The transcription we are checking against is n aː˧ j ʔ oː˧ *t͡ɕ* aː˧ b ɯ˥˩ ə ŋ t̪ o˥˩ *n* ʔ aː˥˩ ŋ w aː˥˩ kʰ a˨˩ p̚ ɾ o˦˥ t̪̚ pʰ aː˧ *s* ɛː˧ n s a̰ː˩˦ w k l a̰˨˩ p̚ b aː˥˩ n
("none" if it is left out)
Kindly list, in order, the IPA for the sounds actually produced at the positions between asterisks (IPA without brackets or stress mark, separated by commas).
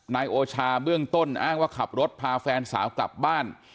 t͡ɕʰ, n, f